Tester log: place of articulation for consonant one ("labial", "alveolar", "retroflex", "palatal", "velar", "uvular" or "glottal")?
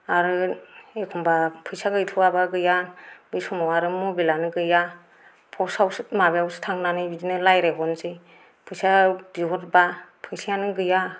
alveolar